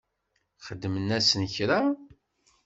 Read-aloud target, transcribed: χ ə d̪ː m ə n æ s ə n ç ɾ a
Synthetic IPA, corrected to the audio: χ ə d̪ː m ə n æ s ə n ç ɾ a